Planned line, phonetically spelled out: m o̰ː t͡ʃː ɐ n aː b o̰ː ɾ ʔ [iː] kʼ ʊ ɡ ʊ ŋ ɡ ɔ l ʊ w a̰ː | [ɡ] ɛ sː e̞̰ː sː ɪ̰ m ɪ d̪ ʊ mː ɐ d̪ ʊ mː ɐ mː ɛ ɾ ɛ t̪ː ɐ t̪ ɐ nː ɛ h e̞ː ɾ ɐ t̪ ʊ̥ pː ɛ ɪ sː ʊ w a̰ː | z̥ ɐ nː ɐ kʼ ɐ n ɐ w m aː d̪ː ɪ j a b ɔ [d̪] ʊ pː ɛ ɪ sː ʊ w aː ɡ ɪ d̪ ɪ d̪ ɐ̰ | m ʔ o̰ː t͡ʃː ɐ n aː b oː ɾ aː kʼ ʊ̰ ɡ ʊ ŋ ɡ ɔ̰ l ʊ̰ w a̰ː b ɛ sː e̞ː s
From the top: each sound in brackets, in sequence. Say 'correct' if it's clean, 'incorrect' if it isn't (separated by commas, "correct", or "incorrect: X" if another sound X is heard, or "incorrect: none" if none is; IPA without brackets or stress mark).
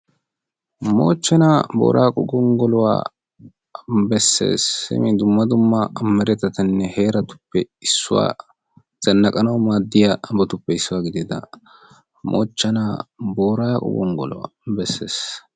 incorrect: aː, incorrect: b, incorrect: t̪